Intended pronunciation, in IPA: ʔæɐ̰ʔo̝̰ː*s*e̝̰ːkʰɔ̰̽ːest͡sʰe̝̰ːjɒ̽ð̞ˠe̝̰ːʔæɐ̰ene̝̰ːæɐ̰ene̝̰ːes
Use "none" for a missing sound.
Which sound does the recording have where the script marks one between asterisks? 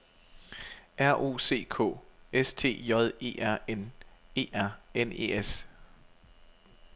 s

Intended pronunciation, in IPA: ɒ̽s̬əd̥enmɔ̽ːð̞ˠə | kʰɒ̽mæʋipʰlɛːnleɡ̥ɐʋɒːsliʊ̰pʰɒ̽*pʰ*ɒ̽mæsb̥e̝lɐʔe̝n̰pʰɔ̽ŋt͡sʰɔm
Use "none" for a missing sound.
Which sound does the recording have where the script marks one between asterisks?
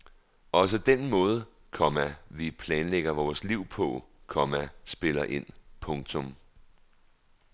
kʰ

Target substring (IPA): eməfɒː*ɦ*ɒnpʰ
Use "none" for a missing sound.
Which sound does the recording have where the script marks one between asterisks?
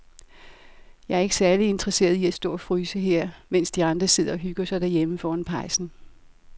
none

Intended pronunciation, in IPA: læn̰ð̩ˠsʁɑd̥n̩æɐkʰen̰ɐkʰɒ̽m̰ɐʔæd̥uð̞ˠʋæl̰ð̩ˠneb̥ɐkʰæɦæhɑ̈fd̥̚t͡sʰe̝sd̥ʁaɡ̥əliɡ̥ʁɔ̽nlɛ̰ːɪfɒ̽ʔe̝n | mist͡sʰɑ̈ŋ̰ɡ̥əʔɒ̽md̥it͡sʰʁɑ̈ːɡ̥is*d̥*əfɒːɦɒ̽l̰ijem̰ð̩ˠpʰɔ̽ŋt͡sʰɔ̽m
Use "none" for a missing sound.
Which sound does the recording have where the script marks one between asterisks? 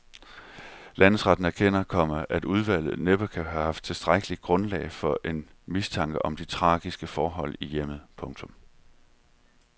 ɡ̥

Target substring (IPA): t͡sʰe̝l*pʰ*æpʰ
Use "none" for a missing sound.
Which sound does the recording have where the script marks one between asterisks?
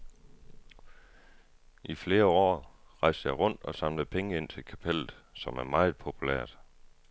kʰ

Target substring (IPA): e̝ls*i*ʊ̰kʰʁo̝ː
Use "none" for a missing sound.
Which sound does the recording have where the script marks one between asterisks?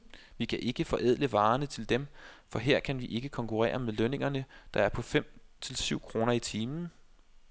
y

